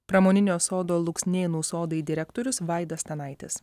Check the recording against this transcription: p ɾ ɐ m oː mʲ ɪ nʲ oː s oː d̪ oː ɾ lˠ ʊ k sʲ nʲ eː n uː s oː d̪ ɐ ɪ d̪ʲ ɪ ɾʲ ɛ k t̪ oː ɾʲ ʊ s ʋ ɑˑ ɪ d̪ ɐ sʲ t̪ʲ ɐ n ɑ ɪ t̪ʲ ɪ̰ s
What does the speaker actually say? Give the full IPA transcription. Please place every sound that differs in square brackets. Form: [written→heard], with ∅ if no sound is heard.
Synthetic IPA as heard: p ɾ ɐ m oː [mʲ→nʲ] ɪ nʲ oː s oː d̪ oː [ɾ→∅] lˠ ʊ k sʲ nʲ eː n uː s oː d̪ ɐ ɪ d̪ʲ ɪ ɾʲ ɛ k t̪ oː ɾʲ ʊ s ʋ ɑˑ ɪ d̪ ɐ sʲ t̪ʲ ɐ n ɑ ɪ t̪ʲ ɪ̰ s